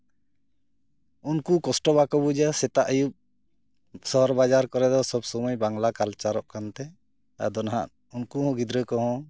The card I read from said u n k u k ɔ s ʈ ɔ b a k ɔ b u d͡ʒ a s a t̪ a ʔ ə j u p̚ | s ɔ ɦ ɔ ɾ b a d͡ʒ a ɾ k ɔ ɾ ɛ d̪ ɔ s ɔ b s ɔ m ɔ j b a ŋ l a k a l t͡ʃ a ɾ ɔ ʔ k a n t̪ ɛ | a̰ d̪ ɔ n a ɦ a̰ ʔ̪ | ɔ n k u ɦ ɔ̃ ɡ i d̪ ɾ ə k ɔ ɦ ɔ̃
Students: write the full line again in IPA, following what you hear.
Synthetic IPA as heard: u n k u k ɔ s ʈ ɔ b a k ɔ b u d͡ʒ a s ɛ t̪ a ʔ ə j u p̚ | s ɔ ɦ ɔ ɾ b a d͡ʒ a ɾ k ɔ ɾ ɛ d̪ ɔ s ɔ b s ɔ m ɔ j b a ŋ l a k a l t͡ʃ a ɾ ɔ ʔ k a n t̪ ɛ | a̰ d̪ ɔ n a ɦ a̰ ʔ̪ | u n k u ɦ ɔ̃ ɡ i d̪ ɾ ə k ɔ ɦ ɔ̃